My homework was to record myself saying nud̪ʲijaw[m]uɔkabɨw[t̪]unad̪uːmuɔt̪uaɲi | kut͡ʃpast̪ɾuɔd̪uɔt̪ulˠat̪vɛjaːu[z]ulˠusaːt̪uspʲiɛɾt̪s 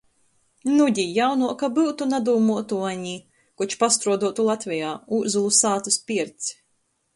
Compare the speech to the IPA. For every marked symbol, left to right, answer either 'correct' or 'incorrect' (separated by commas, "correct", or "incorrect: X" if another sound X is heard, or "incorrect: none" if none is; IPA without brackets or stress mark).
incorrect: n, correct, correct